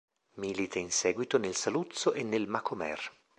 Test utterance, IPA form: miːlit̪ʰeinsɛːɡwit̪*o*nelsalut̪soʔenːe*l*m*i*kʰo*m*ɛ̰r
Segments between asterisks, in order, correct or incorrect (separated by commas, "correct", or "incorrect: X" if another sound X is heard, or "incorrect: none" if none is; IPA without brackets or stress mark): correct, correct, incorrect: a, correct